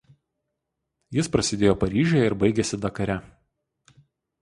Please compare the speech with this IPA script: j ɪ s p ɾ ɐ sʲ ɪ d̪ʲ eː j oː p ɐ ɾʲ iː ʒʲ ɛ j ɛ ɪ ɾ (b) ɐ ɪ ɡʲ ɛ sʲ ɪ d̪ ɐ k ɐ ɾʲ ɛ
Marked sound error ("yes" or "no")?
no